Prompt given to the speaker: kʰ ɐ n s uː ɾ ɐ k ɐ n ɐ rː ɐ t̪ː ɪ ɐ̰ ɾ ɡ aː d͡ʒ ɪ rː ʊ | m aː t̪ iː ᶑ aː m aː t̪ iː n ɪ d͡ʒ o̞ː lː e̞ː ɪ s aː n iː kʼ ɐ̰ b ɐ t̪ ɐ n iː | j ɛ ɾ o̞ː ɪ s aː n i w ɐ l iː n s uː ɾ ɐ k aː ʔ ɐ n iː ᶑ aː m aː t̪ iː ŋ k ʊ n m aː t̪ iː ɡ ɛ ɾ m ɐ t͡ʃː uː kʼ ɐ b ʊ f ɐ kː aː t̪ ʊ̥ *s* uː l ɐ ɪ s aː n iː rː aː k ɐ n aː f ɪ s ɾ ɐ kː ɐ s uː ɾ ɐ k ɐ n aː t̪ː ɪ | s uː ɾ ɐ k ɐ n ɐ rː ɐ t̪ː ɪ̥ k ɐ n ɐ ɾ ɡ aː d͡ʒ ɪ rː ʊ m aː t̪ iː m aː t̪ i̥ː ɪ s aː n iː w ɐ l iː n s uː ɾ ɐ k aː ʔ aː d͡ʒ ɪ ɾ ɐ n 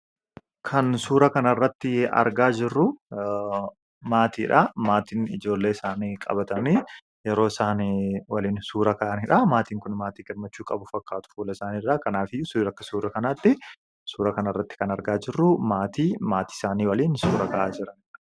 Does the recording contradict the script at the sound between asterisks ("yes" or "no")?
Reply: yes